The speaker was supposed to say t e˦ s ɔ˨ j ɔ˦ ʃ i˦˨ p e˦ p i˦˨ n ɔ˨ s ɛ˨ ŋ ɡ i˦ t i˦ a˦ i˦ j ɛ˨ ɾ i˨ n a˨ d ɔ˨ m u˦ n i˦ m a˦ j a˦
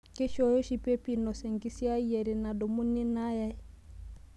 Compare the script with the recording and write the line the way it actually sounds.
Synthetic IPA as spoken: k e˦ ʃ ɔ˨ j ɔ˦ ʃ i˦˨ p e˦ p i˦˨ n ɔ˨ s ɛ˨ ŋ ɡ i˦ s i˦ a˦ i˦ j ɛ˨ ɾ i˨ n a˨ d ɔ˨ m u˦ n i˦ n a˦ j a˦